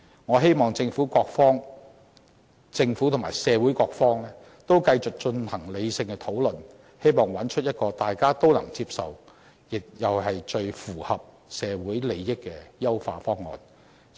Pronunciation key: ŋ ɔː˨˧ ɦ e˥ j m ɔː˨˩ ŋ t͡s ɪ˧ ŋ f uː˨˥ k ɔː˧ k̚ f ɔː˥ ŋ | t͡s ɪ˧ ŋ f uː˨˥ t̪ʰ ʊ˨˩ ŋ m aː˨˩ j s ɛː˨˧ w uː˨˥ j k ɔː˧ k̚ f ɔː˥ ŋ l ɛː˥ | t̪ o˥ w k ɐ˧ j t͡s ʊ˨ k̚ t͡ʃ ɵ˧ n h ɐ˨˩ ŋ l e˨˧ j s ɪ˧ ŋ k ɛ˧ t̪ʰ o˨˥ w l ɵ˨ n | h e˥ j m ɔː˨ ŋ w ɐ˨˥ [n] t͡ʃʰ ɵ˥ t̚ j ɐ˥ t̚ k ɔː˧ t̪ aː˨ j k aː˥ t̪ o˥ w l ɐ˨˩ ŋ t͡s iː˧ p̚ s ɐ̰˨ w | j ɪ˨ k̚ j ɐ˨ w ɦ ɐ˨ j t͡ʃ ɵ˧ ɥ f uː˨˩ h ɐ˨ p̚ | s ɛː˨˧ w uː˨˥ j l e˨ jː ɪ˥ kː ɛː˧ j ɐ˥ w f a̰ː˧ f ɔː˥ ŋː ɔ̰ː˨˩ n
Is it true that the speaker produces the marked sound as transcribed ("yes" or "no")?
yes